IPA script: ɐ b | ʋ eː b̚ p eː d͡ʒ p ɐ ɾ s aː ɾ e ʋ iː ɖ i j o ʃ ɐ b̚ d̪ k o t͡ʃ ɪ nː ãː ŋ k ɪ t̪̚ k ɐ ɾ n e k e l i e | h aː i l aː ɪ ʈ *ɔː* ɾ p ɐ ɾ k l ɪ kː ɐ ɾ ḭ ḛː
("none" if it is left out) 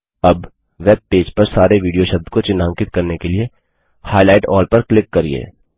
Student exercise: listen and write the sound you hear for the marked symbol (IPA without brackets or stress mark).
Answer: ɔː